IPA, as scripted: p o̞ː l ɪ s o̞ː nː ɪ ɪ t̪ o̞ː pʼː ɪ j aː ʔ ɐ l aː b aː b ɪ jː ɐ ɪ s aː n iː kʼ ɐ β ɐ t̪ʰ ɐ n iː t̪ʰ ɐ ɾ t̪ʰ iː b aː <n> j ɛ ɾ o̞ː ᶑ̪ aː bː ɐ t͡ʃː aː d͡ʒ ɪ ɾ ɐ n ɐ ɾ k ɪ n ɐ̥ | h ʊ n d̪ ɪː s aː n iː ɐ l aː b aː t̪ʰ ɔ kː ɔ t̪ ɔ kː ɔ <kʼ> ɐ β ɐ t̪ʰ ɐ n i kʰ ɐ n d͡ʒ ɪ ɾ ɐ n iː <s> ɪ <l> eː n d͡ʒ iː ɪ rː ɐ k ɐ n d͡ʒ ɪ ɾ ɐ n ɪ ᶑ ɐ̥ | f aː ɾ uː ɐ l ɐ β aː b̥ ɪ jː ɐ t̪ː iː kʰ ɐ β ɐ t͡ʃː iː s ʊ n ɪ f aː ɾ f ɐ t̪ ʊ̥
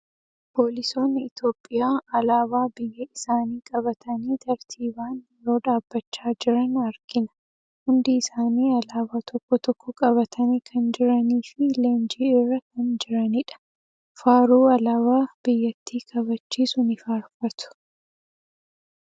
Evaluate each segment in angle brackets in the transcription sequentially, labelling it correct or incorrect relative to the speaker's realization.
correct, correct, incorrect: f, correct

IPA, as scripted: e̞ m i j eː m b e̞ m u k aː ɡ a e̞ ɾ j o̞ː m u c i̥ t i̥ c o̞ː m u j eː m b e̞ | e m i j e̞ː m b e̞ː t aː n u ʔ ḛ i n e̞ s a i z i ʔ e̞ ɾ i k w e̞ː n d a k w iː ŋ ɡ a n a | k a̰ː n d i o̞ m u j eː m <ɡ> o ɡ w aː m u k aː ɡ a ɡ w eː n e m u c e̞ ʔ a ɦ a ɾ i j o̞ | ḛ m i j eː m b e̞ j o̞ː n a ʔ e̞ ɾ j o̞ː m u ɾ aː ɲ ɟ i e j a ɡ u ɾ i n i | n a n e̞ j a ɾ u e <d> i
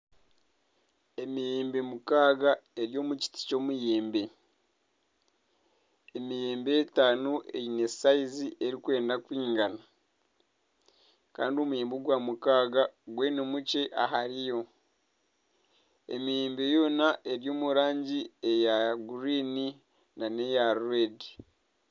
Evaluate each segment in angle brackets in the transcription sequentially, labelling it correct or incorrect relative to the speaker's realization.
incorrect: b, correct

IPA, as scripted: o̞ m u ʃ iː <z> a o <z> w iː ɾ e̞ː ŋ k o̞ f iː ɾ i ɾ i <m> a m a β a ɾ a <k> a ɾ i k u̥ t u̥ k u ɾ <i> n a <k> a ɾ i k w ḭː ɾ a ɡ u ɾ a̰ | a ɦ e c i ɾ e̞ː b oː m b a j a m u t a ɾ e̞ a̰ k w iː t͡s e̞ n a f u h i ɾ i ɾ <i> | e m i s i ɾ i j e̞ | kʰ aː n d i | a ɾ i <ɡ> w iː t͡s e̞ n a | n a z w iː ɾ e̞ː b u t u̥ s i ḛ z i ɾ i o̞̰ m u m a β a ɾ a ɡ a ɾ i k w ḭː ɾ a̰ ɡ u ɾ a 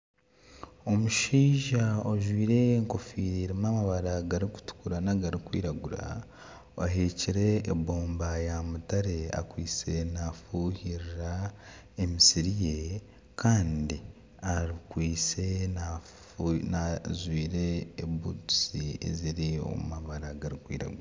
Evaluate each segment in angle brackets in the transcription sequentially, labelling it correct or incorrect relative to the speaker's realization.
incorrect: ʒ, incorrect: ʒ, correct, incorrect: ɡ, incorrect: a, incorrect: ɡ, incorrect: a, incorrect: k

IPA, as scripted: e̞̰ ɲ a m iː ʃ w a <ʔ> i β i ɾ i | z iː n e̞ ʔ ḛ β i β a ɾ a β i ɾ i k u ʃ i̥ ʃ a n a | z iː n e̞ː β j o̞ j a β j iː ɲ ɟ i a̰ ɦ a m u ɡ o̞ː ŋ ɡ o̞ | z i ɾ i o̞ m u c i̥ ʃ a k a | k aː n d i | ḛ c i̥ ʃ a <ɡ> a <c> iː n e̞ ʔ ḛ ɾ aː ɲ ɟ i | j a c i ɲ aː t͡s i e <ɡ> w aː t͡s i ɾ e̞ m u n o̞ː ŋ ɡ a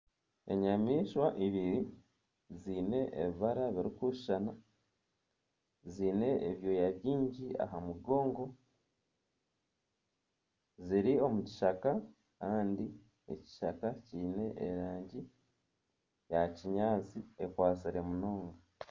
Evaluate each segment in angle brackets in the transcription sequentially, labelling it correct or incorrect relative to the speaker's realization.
correct, incorrect: k, correct, incorrect: k

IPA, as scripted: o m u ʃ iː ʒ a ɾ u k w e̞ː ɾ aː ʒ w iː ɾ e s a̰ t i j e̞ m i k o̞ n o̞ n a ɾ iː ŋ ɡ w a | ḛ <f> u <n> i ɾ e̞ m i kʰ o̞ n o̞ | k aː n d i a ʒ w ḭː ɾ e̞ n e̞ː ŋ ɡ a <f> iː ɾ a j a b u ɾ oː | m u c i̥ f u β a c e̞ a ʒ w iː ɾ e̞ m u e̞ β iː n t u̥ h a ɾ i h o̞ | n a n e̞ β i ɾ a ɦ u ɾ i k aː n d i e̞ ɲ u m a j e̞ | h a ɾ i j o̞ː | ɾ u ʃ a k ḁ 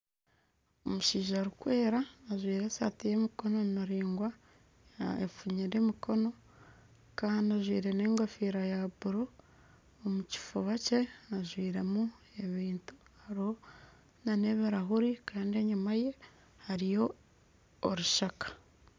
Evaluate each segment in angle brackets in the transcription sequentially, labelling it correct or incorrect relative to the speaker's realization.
correct, incorrect: ɲ, correct

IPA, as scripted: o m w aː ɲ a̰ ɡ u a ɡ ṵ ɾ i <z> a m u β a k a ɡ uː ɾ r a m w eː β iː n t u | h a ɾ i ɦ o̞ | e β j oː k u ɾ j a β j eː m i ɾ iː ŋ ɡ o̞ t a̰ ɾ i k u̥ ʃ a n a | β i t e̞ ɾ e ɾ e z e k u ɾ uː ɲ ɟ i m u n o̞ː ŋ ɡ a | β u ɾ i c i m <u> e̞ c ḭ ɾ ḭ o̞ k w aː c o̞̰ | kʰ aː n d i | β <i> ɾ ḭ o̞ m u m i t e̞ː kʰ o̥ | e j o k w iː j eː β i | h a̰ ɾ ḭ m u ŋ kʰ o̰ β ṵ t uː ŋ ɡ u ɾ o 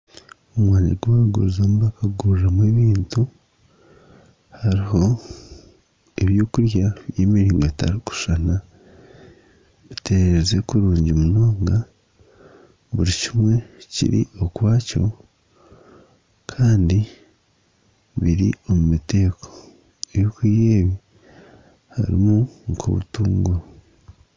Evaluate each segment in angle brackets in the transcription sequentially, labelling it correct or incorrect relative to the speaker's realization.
correct, incorrect: w, correct

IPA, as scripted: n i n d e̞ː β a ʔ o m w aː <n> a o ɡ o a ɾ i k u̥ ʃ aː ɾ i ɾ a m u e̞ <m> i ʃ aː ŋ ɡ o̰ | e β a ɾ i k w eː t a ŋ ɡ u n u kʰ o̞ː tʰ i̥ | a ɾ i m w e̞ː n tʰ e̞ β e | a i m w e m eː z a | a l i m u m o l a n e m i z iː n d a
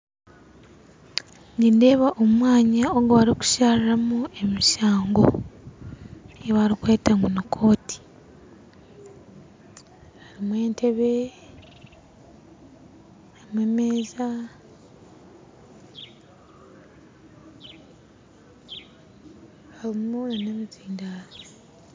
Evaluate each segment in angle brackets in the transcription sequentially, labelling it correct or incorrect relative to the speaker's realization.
incorrect: ɲ, correct

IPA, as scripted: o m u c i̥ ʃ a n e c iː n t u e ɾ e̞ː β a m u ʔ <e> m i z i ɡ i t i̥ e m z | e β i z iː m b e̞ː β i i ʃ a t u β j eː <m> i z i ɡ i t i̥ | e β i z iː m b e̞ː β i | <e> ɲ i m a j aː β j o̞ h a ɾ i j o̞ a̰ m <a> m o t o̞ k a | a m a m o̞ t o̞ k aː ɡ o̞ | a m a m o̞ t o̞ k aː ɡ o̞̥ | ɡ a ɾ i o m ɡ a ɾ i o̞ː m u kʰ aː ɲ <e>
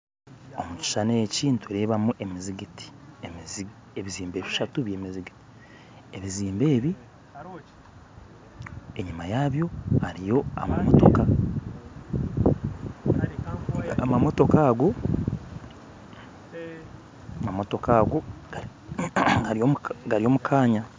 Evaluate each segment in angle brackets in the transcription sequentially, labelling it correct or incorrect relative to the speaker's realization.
correct, correct, correct, correct, incorrect: a

